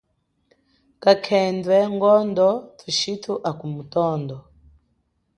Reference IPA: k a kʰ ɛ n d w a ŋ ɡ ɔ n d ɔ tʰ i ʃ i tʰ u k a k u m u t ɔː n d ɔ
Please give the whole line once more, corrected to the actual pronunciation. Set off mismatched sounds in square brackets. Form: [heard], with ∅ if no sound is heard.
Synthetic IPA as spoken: k a kʰ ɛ n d w [ɛ] ŋ ɡ ɔ n d ɔ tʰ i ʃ i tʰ u [ʔ] a k u m u t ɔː n d ɔ